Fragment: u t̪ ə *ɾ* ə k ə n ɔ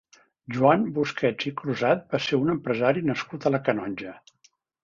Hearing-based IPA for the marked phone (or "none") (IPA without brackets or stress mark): l